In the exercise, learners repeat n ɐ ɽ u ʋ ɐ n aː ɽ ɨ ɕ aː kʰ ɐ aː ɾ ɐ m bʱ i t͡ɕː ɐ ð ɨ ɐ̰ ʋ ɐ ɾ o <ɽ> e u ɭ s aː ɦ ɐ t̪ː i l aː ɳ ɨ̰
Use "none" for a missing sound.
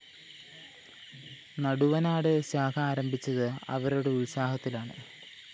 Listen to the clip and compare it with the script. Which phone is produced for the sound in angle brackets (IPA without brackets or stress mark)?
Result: ɽ